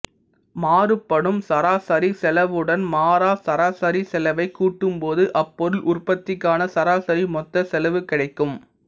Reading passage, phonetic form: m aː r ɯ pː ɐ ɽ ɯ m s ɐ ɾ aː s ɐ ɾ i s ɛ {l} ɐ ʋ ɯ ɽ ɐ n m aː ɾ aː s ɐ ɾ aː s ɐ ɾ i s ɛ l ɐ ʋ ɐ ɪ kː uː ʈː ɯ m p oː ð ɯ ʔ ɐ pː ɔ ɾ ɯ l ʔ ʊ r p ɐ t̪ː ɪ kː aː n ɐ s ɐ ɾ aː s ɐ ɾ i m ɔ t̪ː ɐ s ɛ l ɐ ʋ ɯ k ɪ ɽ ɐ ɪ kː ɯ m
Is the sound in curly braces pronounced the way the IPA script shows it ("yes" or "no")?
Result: yes